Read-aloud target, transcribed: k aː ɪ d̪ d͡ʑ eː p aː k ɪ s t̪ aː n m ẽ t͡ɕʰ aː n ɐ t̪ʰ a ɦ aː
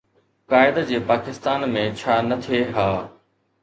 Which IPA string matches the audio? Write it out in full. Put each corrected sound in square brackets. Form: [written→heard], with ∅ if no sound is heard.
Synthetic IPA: k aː ɪ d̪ d͡ʑ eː p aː k ɪ s t̪ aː n m ẽ t͡ɕʰ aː n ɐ t̪ʰ [a→e] ɦ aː